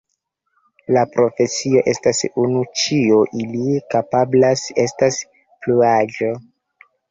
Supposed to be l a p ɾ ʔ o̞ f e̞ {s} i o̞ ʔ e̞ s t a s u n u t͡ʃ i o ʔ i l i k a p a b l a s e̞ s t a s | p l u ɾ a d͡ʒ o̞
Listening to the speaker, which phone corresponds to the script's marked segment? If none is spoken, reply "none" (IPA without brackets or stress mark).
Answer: s